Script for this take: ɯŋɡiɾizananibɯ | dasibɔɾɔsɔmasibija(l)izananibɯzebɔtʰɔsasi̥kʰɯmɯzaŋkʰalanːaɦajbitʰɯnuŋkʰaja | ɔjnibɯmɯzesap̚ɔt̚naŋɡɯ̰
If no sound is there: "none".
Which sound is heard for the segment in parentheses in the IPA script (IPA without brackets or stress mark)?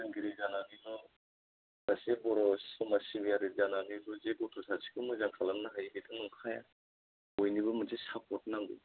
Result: ɾ